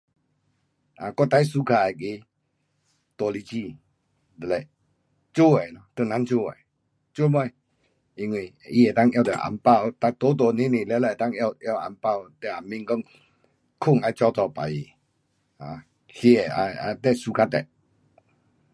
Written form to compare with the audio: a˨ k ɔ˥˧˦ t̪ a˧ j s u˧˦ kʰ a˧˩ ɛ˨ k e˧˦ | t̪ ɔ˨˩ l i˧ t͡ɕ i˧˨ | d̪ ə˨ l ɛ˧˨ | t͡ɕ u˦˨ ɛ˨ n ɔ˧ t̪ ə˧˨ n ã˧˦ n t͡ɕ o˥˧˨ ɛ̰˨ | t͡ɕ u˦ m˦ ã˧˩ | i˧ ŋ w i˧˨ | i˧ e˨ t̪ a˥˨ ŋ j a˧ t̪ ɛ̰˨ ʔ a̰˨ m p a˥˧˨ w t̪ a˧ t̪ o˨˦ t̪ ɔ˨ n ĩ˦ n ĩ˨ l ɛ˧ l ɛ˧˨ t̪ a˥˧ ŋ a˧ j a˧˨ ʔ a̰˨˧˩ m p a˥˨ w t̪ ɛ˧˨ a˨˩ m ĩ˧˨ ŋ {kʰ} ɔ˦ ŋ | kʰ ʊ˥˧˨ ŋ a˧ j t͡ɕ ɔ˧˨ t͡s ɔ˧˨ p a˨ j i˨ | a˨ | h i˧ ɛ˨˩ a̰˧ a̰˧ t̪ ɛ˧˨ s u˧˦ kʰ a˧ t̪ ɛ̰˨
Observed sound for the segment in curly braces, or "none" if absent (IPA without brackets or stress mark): k